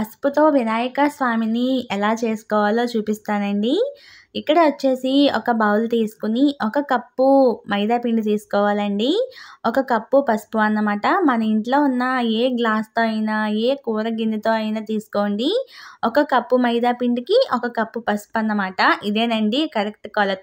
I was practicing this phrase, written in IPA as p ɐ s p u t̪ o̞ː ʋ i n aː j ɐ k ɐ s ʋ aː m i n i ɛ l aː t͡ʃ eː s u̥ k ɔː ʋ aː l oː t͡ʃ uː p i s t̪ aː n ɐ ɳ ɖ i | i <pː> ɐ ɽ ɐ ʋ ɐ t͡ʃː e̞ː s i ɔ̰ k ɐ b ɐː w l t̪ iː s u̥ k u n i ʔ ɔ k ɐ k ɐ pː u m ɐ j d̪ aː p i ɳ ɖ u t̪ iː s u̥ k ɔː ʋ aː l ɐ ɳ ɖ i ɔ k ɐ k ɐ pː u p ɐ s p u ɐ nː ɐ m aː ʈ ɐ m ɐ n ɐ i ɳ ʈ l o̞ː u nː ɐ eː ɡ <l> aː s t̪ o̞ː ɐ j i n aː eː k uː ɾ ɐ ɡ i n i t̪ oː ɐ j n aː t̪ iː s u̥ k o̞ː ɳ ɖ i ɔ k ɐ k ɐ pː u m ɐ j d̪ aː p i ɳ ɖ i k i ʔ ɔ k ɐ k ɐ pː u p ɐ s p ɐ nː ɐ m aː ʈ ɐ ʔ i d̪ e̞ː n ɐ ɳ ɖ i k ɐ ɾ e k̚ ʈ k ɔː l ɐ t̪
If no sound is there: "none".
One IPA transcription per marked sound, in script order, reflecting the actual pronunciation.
kː, l

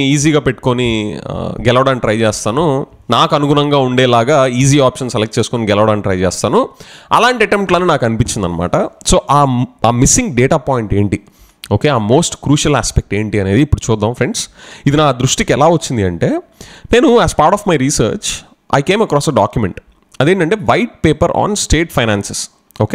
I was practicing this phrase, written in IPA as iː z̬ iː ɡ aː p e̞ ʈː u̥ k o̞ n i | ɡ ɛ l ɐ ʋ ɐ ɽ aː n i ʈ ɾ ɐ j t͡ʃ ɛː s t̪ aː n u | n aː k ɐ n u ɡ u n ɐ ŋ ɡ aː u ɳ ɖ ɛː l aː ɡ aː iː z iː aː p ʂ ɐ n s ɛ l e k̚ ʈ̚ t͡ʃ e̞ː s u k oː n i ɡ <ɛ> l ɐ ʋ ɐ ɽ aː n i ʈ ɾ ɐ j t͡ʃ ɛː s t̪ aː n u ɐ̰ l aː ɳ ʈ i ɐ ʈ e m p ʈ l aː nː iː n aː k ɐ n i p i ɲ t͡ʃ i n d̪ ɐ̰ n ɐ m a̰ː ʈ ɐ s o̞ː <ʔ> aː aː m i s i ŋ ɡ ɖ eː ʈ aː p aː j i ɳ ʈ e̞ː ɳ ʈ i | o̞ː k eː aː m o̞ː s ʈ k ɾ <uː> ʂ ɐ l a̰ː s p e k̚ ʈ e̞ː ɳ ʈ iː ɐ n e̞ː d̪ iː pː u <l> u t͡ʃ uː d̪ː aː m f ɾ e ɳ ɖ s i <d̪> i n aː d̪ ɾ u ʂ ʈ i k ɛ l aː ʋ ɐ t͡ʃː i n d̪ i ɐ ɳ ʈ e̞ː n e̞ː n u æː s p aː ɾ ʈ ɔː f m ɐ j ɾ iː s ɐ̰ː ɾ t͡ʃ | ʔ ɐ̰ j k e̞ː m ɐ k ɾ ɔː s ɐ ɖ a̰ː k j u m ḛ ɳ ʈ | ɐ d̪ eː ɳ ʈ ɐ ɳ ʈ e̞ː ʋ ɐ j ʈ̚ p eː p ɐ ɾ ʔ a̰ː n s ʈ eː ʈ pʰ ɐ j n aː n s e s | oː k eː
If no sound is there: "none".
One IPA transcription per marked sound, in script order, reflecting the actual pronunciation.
ɛ, ʔ, uː, ɽ, d̪

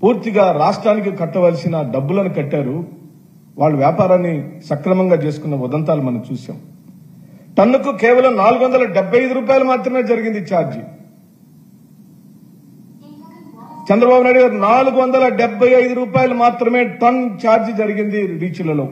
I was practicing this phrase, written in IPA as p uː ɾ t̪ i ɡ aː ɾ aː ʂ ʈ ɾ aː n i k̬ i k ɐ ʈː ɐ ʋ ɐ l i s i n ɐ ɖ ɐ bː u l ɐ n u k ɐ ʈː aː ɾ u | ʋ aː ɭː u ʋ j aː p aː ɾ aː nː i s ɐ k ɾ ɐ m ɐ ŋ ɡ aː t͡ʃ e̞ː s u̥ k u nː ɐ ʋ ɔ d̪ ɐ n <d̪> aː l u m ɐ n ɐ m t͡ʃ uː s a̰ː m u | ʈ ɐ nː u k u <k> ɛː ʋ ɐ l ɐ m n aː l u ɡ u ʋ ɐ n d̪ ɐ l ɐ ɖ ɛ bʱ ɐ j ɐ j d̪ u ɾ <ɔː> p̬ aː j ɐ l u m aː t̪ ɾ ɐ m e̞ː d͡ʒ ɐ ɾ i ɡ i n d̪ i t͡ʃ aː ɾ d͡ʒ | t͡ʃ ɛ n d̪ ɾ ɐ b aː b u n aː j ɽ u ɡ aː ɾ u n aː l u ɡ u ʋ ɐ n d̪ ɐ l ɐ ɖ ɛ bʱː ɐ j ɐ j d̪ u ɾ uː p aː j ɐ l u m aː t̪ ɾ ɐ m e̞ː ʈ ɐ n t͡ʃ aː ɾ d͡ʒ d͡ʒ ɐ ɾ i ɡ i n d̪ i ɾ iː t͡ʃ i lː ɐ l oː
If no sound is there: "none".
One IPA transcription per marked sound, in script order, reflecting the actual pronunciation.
t̪, k, uː

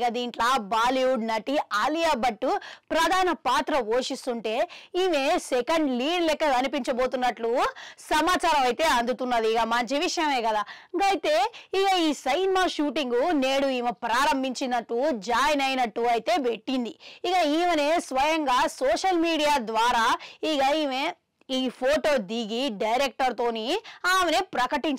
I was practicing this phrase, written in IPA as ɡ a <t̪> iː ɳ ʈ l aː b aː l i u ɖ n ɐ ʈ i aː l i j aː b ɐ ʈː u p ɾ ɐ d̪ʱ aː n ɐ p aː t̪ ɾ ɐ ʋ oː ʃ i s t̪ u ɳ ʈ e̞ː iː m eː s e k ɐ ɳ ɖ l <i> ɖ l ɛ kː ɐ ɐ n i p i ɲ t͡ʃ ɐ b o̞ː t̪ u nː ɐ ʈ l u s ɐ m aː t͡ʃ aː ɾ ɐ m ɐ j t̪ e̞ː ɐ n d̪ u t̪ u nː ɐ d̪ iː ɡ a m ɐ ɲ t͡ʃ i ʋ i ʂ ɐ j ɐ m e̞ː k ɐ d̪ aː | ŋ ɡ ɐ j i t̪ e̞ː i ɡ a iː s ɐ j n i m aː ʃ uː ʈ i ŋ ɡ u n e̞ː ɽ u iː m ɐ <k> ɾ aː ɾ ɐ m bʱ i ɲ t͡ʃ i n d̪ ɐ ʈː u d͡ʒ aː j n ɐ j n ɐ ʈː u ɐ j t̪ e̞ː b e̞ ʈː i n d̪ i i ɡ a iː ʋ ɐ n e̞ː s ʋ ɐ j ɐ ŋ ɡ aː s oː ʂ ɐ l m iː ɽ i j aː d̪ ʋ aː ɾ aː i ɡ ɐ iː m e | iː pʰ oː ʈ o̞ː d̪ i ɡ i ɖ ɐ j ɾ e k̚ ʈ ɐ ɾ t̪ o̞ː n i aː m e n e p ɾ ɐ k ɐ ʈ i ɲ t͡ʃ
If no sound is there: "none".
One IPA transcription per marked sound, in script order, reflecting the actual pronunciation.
d̪, iː, p

